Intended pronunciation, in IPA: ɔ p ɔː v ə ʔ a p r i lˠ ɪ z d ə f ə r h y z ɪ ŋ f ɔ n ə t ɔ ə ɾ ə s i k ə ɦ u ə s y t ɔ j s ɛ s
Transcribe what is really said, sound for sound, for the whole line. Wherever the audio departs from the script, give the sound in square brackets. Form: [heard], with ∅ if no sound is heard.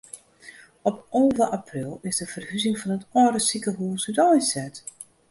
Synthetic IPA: ɔ p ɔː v ə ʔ a p r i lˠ ɪ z d ə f ə r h y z ɪ ŋ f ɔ n ə t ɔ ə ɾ ə s i k ə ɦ u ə s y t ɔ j s ɛ [t]